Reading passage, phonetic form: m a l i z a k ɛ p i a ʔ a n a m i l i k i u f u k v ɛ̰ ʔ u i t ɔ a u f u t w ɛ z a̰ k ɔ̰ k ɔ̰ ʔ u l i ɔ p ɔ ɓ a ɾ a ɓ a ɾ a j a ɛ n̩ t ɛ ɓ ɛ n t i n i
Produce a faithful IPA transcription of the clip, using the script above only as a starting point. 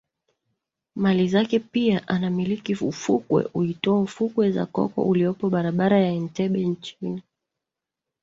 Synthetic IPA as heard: m a l i z a k ɛ p i a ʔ a n a m i l i k i u f u k w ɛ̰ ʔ u i t ɔ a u f u k w ɛ z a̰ k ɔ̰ k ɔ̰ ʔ u l i ɔ p ɔ ɓ a ɾ a ɓ a ɾ a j a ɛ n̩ t ɛ ɓ ɛ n t͡ʃ i n i